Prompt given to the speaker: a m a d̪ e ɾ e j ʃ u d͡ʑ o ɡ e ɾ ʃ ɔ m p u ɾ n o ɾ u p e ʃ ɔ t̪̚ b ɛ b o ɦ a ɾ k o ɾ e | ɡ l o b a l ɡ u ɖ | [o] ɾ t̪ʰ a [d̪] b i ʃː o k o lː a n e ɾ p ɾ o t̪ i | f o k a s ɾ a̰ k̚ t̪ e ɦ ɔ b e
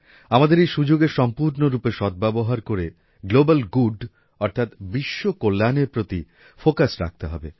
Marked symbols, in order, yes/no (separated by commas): no, no